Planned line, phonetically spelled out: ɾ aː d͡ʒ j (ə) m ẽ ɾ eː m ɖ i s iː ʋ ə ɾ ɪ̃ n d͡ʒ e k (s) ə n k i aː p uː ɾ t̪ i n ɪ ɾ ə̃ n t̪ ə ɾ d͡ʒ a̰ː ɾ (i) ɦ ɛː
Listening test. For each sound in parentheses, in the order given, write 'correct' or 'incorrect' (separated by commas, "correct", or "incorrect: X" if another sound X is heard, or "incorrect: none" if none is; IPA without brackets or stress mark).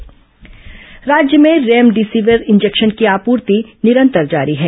correct, incorrect: ʃ, correct